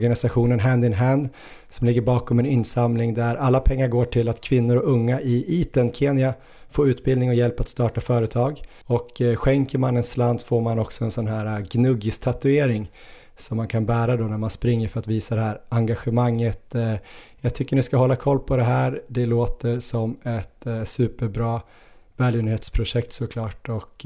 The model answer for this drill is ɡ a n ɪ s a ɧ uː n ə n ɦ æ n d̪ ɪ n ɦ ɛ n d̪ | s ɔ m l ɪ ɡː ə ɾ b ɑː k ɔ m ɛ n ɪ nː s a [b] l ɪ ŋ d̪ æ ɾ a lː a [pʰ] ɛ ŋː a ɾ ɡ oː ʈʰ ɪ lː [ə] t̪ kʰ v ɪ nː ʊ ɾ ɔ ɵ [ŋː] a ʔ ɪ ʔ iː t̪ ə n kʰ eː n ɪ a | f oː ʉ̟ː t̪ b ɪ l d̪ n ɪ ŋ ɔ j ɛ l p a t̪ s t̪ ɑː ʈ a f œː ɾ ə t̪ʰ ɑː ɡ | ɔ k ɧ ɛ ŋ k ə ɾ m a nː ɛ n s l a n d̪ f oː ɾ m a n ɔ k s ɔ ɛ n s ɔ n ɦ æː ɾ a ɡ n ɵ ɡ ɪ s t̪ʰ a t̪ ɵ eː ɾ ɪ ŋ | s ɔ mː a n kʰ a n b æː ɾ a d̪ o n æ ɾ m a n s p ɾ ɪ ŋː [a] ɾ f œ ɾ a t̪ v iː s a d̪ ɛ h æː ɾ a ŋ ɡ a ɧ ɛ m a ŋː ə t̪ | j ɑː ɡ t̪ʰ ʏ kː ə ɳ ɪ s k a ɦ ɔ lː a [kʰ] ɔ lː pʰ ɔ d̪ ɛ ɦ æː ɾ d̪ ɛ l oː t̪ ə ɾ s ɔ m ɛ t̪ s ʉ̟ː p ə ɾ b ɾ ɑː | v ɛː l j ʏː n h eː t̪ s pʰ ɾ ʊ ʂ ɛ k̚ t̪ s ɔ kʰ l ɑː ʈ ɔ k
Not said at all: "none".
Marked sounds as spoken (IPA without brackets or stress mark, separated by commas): m, pʰ, a, ŋː, ə, kʰ